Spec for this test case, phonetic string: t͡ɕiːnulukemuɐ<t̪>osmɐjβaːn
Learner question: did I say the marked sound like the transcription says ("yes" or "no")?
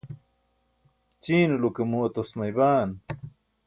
yes